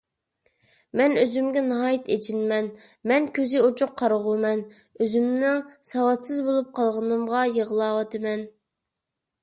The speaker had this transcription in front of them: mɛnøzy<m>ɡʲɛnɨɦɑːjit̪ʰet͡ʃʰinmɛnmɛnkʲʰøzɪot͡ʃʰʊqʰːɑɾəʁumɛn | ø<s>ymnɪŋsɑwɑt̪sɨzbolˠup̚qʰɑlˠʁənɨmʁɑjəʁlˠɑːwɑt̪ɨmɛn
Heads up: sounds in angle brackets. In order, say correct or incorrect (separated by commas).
correct, incorrect